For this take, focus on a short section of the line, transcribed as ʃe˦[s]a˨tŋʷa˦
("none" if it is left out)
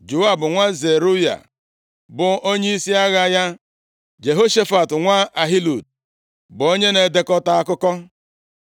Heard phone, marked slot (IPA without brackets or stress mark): f